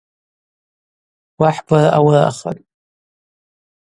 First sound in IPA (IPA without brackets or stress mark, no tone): w